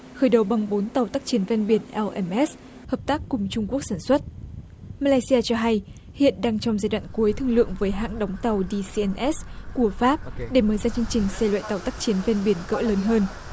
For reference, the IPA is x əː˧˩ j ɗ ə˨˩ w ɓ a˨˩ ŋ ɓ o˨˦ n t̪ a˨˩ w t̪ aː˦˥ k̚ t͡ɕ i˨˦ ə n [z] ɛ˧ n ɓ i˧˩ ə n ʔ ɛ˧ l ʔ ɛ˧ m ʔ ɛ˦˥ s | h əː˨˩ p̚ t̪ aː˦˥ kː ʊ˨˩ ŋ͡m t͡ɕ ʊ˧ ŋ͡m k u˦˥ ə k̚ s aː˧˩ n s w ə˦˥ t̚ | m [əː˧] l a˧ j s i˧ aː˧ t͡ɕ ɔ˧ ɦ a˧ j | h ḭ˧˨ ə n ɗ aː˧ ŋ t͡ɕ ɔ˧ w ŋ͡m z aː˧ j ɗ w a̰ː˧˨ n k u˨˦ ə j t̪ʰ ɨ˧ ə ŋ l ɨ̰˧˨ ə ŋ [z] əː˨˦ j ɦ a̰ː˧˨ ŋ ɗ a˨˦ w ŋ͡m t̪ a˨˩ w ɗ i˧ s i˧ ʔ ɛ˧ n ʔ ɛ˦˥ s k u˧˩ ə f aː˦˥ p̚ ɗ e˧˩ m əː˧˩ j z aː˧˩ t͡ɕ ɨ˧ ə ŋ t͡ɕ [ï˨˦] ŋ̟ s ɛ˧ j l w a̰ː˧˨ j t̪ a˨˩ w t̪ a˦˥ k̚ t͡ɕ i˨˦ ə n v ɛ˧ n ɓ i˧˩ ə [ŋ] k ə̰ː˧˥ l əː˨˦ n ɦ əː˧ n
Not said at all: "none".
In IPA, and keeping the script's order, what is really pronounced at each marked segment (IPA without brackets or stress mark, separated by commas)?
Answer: v, aː˧, v, ï˨˩, n